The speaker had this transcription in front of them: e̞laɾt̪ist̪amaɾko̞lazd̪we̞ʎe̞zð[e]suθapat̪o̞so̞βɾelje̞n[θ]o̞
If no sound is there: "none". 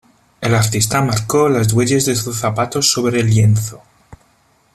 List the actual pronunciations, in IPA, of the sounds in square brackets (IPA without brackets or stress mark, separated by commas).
e, θ